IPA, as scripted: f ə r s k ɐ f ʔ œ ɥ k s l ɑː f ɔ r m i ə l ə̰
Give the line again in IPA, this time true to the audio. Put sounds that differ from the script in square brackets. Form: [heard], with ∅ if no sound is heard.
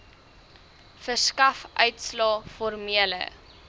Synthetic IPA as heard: f ə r s k ɐ f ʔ œ ɥ [t] s l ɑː f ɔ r m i ə l ə̰